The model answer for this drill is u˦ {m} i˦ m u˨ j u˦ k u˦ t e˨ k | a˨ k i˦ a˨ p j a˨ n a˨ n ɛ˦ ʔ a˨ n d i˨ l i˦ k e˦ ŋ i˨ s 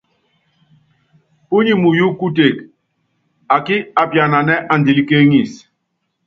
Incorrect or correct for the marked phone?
incorrect: ɲ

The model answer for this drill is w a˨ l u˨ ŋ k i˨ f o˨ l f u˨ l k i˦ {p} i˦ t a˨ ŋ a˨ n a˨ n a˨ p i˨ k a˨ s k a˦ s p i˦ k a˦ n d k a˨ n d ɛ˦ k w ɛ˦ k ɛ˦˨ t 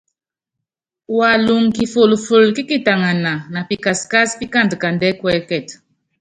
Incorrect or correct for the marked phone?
incorrect: k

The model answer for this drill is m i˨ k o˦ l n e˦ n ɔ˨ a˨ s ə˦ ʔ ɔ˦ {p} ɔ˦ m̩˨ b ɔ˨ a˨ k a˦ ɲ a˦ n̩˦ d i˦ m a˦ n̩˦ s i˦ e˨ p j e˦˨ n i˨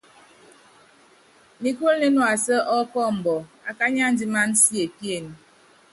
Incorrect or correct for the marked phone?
incorrect: k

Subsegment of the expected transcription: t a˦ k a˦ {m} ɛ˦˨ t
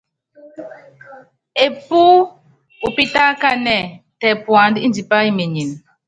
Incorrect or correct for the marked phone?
incorrect: n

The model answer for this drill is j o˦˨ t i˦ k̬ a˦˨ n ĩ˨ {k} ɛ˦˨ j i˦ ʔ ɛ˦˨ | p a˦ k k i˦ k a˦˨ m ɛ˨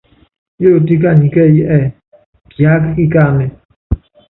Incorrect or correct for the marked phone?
correct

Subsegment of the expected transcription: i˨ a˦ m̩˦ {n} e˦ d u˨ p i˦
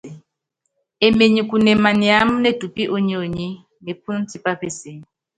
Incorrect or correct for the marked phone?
correct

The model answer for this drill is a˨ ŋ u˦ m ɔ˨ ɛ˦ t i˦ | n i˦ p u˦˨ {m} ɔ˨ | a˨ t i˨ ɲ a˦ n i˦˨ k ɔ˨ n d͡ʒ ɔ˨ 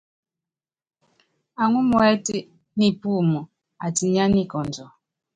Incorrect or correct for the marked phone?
correct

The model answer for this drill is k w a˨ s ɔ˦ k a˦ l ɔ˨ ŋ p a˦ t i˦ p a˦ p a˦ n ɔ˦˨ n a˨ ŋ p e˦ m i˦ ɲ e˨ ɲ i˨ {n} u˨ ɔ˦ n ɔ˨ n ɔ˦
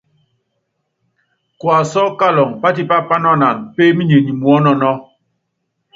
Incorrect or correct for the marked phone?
incorrect: m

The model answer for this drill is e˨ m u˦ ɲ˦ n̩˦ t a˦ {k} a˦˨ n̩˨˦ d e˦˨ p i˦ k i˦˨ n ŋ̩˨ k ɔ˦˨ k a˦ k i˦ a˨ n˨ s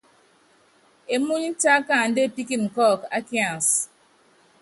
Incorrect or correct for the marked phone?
correct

